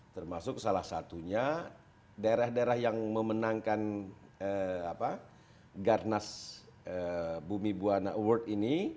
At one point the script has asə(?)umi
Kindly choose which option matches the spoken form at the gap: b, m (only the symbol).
b